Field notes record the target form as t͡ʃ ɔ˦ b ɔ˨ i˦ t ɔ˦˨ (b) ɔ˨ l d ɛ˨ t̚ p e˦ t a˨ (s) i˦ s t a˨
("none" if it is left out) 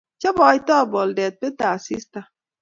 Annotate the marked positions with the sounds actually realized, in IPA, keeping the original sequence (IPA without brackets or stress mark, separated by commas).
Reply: b, s